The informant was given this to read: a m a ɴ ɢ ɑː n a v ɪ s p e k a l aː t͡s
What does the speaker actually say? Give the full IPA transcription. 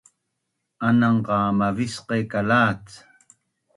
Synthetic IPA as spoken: a n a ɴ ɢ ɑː m a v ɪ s q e k a l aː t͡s